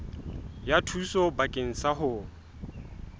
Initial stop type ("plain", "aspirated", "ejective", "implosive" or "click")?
aspirated